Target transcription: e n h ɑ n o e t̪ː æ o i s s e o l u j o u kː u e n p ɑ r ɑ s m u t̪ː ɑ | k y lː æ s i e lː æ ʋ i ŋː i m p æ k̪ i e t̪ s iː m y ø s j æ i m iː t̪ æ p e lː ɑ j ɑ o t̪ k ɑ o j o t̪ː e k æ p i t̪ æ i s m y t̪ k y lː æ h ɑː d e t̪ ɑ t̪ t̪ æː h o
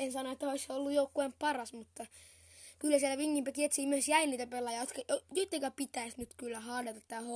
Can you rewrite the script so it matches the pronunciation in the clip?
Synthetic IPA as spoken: e n s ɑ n o e t̪ː æ o i s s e o lː u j o u kː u e m p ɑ r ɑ s m u t̪ː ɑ | k y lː æ s i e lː æ ʋ i ŋː i m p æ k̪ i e t̪ s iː m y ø s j æ i n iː t̪ æ p e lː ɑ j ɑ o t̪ k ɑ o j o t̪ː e k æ p i t̪ æ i s n y t̪ k y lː æ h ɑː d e t̪ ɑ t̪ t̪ æː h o